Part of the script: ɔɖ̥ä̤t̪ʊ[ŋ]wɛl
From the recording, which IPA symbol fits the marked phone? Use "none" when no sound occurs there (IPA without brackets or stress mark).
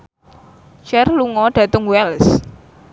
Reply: ŋ